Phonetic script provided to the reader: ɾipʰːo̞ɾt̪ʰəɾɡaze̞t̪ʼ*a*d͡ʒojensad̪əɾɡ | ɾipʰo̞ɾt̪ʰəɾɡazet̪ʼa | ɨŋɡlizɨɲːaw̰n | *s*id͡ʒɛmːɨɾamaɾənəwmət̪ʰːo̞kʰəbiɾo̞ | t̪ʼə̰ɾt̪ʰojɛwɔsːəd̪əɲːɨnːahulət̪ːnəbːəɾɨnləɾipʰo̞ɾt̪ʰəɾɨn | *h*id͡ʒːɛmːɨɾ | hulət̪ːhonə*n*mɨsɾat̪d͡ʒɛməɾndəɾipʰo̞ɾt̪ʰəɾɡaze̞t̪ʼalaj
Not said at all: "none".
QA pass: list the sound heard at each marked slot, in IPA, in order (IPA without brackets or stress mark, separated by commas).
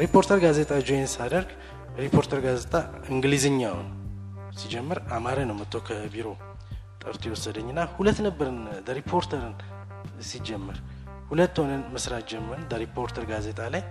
a, s, s, n